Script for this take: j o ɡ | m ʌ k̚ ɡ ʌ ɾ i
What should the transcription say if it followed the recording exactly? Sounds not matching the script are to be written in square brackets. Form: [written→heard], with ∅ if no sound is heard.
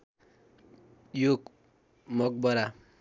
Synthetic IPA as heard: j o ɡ | m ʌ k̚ [ɡ→b] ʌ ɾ [i→a]